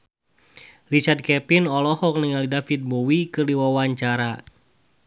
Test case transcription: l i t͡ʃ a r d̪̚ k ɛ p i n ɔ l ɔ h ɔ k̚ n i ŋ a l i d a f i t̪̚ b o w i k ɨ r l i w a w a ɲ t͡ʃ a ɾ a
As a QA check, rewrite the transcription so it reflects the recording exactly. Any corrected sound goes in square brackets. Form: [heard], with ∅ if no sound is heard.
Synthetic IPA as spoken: l i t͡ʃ a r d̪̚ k ɛ p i n ɔ l ɔ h ɔ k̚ n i ŋ a l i d a f i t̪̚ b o w i k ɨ r l i w a w a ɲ t͡ʃ a ɾ a